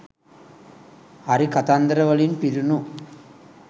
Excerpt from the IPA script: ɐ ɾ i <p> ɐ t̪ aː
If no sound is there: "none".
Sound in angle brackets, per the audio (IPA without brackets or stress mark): k